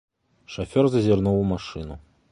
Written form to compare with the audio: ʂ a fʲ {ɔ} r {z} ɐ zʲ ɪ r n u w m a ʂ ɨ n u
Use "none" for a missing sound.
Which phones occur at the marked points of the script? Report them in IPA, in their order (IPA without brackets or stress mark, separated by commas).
ɔ, z